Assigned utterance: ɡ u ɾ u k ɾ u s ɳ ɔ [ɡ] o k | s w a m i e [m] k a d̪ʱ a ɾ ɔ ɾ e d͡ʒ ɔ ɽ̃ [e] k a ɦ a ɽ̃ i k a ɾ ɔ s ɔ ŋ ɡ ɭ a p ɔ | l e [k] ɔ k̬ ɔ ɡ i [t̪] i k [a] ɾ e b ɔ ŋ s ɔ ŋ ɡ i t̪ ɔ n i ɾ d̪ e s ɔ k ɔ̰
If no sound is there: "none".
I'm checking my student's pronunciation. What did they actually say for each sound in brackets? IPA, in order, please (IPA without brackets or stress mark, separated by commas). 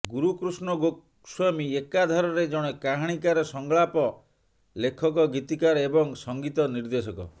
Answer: ɡ, none, e, kʰ, t̪, a